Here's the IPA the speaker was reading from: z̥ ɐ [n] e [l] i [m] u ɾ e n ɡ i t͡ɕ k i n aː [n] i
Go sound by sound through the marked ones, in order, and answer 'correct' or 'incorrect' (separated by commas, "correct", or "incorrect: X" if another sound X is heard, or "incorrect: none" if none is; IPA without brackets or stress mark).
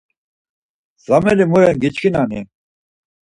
incorrect: m, correct, correct, correct